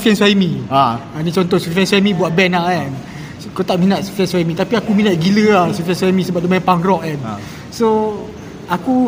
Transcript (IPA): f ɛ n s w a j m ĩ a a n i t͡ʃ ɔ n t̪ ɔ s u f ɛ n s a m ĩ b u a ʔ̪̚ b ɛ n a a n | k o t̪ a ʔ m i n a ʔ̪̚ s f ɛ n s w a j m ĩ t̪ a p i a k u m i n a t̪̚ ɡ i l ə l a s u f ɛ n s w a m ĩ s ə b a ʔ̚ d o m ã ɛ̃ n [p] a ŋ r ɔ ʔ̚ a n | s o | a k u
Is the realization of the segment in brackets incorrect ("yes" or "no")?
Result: no